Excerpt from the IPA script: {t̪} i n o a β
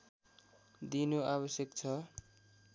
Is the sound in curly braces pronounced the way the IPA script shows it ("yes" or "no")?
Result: no